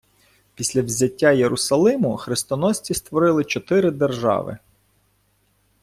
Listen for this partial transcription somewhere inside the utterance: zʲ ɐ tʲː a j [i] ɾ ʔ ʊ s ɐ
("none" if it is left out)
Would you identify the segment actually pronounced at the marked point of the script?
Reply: e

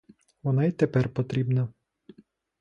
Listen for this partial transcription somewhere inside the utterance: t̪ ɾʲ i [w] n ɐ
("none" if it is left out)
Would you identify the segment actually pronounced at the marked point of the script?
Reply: b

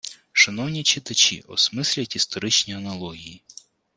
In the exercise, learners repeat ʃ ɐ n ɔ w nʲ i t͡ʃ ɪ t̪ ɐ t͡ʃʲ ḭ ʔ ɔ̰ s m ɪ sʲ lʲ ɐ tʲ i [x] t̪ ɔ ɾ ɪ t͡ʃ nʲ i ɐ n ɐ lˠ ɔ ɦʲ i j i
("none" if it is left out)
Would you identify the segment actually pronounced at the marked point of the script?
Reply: s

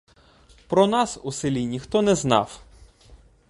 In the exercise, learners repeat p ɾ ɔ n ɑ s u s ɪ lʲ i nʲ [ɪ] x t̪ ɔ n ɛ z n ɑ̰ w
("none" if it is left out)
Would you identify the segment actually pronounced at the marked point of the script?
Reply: i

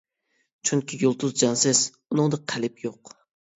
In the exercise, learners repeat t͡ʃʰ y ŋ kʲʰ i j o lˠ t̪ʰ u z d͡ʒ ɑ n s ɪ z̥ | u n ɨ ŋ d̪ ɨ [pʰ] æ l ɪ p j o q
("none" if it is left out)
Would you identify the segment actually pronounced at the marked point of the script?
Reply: qʰ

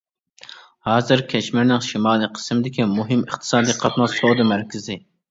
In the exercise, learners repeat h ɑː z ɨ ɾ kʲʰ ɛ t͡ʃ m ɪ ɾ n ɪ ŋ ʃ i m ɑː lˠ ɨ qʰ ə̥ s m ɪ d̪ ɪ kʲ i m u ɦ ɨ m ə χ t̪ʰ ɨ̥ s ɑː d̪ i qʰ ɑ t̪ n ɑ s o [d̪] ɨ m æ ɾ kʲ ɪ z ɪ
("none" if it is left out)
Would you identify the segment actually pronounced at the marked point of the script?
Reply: d̪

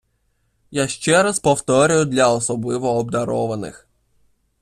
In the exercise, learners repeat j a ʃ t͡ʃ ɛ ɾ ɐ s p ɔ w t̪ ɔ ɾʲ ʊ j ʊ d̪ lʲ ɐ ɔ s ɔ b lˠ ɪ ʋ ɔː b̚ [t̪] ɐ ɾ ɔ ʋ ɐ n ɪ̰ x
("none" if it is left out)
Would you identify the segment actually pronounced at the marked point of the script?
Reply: d̪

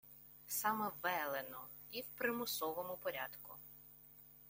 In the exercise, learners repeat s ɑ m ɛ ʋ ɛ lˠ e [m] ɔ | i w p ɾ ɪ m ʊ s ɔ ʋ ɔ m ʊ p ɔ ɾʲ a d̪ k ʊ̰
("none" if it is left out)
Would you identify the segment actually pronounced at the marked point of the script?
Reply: n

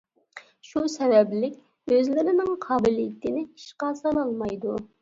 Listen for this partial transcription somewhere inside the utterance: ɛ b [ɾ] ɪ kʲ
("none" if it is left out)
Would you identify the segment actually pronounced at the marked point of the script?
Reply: l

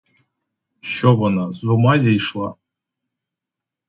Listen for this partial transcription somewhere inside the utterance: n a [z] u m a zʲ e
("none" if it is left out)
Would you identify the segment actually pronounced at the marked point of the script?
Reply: z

